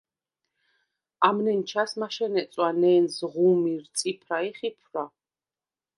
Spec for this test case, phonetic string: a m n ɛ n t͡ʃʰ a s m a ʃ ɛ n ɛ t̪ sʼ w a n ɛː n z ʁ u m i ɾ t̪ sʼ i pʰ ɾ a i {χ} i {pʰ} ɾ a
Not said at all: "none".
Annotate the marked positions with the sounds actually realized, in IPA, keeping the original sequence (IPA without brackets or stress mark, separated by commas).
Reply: χ, pʰ